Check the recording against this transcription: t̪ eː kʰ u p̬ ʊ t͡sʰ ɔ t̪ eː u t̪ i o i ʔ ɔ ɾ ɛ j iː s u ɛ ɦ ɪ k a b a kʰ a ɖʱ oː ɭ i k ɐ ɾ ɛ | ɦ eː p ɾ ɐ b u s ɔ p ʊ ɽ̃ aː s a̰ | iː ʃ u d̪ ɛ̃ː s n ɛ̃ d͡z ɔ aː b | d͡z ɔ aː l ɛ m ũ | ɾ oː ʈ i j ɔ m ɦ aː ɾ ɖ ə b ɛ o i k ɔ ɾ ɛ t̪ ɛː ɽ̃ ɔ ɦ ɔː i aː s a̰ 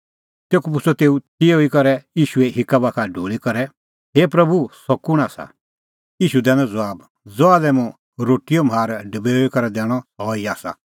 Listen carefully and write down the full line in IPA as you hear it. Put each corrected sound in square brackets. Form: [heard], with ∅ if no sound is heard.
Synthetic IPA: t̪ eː [k] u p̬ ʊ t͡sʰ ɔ t̪ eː u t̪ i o i [k] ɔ ɾ ɛ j iː [ʃ] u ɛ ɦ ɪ k a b a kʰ a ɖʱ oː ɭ i k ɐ ɾ ɛ | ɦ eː p ɾ ɐ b u s ɔ [k] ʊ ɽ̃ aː s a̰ | iː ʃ u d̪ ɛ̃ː [∅] n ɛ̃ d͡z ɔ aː b | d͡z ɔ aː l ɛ m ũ | ɾ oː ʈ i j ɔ m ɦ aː ɾ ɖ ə b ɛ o i k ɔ ɾ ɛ [d̪] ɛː ɽ̃ ɔ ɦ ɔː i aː s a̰

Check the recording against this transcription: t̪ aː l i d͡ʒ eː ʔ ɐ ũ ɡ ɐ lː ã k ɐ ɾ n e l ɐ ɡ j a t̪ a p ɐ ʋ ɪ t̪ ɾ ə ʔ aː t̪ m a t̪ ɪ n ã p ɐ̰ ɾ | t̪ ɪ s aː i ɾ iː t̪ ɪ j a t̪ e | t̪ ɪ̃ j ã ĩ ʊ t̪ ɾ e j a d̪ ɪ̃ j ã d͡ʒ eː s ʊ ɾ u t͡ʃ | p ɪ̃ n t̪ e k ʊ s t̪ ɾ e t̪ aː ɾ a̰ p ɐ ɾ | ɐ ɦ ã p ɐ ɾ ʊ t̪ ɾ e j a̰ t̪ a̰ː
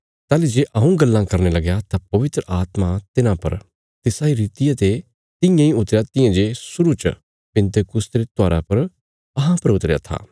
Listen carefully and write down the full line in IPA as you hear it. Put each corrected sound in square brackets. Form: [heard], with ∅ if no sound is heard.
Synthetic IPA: t̪ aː l i d͡ʒ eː ʔ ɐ ũ ɡ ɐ lː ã k ɐ ɾ n e l ɐ ɡ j a t̪ a p ɐ ʋ ɪ t̪ ɾ ə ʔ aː t̪ m a t̪ ɪ n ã p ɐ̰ ɾ | t̪ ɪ s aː i ɾ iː t̪ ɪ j a t̪ e | t̪ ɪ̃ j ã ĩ ʊ t̪ ɾ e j a [t̪] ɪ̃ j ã d͡ʒ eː s ʊ ɾ u t͡ʃ | p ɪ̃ n t̪ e k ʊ s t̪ ɾ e t̪ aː ɾ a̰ p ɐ ɾ | ɐ ɦ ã p ɐ ɾ ʊ t̪ ɾ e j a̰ [t̪ʰ] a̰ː

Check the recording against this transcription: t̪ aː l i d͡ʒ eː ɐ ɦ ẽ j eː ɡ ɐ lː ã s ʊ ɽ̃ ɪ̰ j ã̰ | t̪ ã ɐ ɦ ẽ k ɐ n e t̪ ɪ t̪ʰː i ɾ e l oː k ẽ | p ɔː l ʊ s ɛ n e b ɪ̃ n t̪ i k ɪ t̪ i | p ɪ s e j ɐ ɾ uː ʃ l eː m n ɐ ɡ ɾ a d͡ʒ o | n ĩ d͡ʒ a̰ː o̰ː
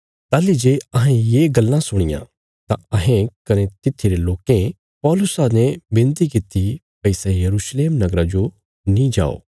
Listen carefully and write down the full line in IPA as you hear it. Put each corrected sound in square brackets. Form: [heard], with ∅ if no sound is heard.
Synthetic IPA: t̪ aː l i d͡ʒ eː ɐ ɦ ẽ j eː ɡ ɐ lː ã s ʊ ɽ̃ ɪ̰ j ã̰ | t̪ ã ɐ ɦ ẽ k ɐ n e t̪ ɪ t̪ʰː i ɾ e l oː k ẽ | p ɔː l ʊ s [a] n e b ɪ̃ n t̪ i k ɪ t̪ i | p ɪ s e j ɐ ɾ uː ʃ l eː m n ɐ ɡ ɾ a d͡ʒ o | n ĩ d͡ʒ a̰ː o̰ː

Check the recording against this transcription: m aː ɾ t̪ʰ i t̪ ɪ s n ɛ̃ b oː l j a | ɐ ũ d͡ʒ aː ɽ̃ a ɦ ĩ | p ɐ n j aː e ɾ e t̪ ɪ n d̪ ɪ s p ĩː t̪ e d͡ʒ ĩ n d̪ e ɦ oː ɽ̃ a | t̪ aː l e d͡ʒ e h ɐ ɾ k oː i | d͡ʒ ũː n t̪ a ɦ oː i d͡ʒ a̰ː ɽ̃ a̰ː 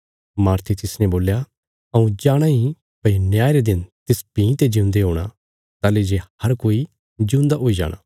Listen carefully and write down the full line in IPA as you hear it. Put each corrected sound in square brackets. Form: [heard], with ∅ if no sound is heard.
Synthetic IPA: m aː ɾ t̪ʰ i t̪ ɪ s n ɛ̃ b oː l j a | ɐ ũ d͡ʒ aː ɽ̃ a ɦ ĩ | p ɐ n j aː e ɾ e [d̪] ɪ n [t̪] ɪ s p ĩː t̪ e d͡ʒ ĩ n d̪ e ɦ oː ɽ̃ a | t̪ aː l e d͡ʒ e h ɐ ɾ k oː i | d͡ʒ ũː n [d̪] a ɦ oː i d͡ʒ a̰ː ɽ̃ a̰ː

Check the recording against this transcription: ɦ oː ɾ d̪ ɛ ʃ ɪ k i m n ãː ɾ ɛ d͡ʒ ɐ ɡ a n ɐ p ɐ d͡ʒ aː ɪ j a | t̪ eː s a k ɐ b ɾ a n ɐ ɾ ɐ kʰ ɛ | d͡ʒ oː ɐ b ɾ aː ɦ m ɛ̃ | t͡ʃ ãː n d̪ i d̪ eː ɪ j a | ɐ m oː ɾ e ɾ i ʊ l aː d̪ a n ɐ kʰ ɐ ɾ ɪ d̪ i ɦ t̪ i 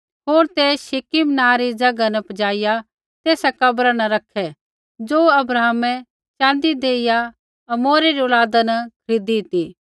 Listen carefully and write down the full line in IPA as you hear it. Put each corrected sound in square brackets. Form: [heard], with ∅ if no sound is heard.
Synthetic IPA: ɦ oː ɾ [t̪] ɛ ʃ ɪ k i m n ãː ɾ [i] d͡ʒ ɐ ɡ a n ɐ p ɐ d͡ʒ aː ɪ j a | t̪ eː s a k ɐ b ɾ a n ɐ ɾ ɐ kʰ ɛ | d͡ʒ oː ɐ b ɾ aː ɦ m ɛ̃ | t͡ʃ ãː n d̪ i d̪ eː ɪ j a | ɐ m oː ɾ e ɾ i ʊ l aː d̪ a n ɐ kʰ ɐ ɾ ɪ d̪ i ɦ t̪ i

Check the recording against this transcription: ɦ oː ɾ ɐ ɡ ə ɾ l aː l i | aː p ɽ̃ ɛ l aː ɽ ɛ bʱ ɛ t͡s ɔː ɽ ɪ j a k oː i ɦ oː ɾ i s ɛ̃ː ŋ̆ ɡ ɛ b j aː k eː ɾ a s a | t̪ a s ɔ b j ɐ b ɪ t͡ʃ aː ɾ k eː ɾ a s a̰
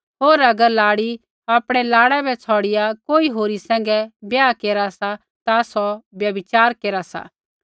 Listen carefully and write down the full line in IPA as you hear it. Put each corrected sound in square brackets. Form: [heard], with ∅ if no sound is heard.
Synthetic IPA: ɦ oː ɾ ɐ ɡ ə ɾ l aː [ɽ] i | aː p ɽ̃ ɛ l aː ɽ ɛ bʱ ɛ [t͡sʰ] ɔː ɽ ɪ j a k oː i ɦ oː ɾ i s ɛ̃ː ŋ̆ ɡ ɛ b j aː k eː ɾ a s a | t̪ a s ɔ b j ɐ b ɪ t͡ʃ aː ɾ k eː ɾ a s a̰

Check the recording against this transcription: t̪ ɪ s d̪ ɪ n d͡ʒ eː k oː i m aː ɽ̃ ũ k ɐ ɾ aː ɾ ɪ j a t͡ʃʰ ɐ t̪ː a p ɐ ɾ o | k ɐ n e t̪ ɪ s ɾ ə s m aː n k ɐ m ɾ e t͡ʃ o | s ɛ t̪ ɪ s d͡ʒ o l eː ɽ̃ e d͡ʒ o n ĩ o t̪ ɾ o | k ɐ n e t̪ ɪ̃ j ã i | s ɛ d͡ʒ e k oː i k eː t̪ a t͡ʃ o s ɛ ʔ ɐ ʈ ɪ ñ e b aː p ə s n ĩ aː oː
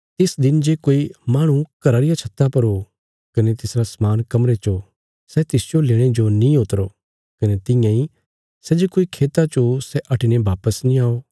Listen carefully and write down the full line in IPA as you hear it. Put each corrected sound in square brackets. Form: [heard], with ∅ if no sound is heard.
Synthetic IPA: t̪ ɪ s d̪ ɪ n d͡ʒ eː k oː i m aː ɽ̃ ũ k ɐ ɾ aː ɾ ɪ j a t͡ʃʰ ɐ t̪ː a p ɐ ɾ o | k ɐ n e t̪ ɪ s ɾ [a] s m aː n k ɐ m ɾ e t͡ʃ o | s ɛ t̪ ɪ s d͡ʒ o l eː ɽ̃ e d͡ʒ o n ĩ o t̪ ɾ o | k ɐ n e t̪ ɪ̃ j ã i | s ɛ d͡ʒ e k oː i [kʰ] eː t̪ a t͡ʃ o s ɛ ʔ ɐ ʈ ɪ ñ e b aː p ə s n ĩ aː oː

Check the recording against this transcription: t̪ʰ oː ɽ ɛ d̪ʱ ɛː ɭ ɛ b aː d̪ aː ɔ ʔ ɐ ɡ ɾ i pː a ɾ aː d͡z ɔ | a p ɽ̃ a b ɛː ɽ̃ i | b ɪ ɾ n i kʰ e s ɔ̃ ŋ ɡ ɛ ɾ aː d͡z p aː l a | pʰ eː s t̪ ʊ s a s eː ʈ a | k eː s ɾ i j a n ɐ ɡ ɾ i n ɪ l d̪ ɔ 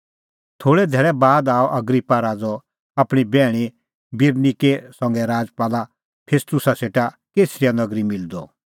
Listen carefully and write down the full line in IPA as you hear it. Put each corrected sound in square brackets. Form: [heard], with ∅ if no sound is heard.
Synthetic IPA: t̪ʰ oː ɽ ɛ d̪ʱ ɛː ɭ ɛ b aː d̪ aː ɔ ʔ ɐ ɡ ɾ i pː a ɾ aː d͡z ɔ | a p ɽ̃ [i] b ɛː ɽ̃ i | b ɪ ɾ n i [k] e s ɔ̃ ŋ ɡ ɛ ɾ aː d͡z p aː l a | pʰ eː s t̪ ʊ s a s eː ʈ a | k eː s ɾ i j a n ɐ ɡ ɾ i [m] ɪ l d̪ ɔ

